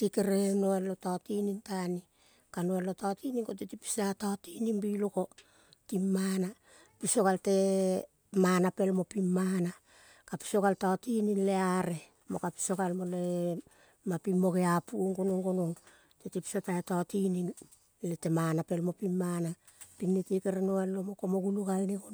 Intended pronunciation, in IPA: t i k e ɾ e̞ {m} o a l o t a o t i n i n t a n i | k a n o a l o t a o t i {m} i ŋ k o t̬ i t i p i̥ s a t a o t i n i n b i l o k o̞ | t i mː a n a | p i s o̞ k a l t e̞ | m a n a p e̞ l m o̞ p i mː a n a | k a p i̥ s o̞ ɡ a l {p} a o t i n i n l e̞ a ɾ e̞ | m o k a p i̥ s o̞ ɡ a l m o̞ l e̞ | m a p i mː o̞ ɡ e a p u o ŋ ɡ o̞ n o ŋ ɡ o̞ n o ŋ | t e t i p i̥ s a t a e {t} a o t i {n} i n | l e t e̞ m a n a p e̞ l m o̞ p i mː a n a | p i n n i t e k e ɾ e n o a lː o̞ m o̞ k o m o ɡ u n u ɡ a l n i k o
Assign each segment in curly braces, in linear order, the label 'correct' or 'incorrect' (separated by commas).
incorrect, incorrect, incorrect, correct, correct